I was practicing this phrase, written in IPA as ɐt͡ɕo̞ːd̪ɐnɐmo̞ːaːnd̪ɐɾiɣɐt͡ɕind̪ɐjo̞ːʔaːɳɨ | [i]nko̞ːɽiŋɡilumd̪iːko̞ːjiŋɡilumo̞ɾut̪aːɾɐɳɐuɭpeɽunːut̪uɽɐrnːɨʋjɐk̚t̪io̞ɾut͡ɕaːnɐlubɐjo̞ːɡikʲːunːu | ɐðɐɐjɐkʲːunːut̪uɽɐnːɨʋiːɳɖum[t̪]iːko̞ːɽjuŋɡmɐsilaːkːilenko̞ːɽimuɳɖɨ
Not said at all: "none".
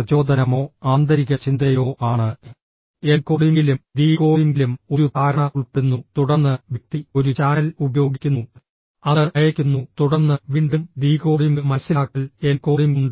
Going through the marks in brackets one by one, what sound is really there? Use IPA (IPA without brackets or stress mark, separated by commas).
e, d̪